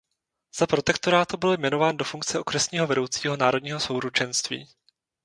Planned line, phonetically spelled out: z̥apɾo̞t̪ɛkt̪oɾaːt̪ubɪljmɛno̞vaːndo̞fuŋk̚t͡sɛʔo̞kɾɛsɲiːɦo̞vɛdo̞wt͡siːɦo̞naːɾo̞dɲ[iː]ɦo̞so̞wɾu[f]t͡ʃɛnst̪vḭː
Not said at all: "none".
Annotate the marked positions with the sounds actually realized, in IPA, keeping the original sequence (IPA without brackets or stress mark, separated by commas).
iː, none